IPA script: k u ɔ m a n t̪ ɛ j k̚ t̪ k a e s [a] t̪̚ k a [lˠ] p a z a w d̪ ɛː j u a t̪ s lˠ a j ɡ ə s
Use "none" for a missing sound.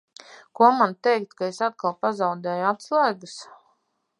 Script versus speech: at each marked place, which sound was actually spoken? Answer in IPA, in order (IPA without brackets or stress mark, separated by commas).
a, lˠ